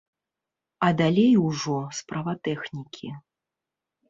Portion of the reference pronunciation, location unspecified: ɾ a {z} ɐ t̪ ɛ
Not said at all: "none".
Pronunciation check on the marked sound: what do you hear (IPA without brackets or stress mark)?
v